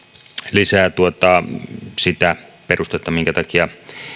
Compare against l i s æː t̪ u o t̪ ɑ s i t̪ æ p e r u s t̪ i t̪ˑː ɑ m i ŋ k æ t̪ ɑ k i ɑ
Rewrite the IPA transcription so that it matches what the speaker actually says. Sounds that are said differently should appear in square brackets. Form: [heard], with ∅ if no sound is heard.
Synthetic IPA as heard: l i s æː t̪ u o t̪ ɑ s i t̪ æ p e r u s t̪ [e] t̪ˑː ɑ m i ŋ k æ t̪ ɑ k i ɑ